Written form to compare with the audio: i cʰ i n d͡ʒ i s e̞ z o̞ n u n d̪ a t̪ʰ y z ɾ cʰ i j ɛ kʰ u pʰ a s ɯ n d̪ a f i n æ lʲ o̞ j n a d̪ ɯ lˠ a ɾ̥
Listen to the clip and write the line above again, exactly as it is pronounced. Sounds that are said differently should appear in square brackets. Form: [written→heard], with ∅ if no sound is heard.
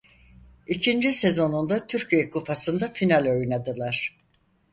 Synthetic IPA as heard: i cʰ i n d͡ʒ i s e̞ z o̞ n u n d̪ a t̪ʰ y [z→∅] ɾ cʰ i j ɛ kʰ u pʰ a s ɯ n d̪ a f i n [æ→a] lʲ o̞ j n a d̪ ɯ lˠ a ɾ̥